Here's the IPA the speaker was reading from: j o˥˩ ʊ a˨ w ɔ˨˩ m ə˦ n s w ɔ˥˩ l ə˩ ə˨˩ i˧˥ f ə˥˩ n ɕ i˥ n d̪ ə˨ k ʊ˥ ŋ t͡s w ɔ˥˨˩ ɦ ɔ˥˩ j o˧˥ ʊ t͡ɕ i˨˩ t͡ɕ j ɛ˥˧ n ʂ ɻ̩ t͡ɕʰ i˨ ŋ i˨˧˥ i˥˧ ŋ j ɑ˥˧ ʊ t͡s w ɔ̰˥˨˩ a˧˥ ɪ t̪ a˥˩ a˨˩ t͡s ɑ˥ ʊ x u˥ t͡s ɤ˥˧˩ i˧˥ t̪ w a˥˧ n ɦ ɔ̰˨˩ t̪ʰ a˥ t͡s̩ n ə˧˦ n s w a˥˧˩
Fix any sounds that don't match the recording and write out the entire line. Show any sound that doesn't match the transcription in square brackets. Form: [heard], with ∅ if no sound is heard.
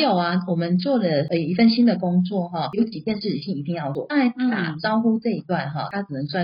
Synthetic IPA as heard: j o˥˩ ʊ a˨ w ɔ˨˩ m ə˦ n [t͡s] w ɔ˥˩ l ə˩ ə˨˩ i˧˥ f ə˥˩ n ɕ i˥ n d̪ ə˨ k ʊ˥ ŋ t͡s w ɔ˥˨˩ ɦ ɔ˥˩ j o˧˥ ʊ t͡ɕ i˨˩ t͡ɕ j ɛ˥˧ n ʂ ɻ̩ t͡ɕʰ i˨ ŋ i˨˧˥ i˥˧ ŋ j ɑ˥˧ ʊ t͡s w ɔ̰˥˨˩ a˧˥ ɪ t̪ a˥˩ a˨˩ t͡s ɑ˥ ʊ x u˥ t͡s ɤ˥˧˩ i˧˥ t̪ w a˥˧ n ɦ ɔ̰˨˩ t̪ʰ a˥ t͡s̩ n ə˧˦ [ŋ] s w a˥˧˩